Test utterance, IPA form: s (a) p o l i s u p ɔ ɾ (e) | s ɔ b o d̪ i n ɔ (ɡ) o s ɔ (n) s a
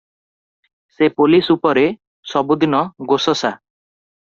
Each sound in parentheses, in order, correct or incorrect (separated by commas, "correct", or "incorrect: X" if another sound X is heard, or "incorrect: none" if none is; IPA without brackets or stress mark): incorrect: e, correct, correct, incorrect: none